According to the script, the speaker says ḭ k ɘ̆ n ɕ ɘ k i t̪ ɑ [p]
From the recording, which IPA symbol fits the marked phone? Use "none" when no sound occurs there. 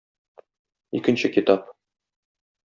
p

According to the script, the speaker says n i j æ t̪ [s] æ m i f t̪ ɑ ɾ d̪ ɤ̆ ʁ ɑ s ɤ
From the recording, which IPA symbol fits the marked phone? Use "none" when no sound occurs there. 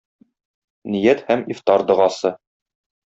h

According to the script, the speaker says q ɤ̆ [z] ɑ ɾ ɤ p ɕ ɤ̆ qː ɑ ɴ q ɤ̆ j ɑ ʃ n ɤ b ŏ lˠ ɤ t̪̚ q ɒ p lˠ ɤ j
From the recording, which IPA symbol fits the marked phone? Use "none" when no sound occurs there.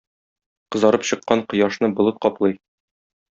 z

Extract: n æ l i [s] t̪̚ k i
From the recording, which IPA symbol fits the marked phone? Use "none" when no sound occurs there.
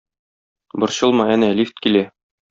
f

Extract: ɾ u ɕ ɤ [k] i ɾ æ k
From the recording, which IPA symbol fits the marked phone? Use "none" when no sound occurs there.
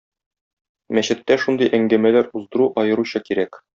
k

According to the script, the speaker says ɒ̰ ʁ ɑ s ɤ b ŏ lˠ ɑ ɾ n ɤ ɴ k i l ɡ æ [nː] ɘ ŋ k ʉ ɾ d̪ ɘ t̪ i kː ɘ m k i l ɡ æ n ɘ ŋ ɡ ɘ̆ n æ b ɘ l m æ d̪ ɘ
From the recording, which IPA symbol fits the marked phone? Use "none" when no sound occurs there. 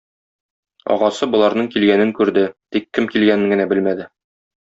n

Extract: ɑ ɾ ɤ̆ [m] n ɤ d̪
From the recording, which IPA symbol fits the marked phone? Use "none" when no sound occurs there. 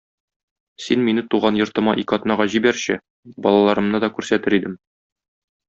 m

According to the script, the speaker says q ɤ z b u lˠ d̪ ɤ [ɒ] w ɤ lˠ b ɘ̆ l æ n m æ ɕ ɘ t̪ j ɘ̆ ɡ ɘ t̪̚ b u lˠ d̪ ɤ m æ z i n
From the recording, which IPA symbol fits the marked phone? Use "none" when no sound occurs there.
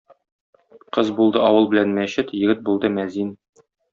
ɒ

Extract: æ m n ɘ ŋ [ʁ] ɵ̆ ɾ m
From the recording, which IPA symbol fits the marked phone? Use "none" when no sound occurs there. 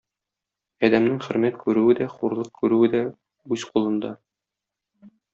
χ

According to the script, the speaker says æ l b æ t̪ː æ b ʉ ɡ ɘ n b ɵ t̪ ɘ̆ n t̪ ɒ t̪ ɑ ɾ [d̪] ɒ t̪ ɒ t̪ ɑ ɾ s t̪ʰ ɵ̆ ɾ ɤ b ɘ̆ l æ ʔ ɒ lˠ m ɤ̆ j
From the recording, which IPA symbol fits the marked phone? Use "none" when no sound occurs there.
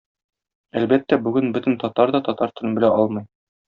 d̪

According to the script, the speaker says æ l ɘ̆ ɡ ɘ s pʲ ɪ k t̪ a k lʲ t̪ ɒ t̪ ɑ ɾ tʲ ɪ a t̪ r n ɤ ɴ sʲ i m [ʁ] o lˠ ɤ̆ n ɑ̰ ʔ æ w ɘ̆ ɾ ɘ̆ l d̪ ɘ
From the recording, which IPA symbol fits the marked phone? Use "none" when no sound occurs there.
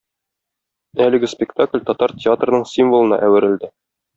v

